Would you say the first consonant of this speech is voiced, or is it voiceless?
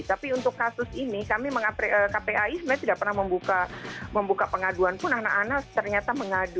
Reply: voiceless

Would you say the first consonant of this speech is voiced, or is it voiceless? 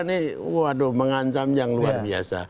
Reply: voiced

